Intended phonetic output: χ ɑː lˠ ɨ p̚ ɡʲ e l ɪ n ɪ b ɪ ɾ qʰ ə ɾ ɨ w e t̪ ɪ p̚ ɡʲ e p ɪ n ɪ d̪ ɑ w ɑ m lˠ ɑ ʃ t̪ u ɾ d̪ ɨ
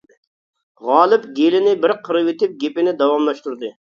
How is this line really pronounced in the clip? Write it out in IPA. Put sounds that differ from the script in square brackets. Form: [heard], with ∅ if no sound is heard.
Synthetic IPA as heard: [ʁ] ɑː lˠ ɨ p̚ ɡʲ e l ɪ n ɪ b ɪ ɾ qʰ ə ɾ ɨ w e t̪ ɪ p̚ ɡʲ e p ɪ n ɪ d̪ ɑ w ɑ m lˠ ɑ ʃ t̪ u ɾ d̪ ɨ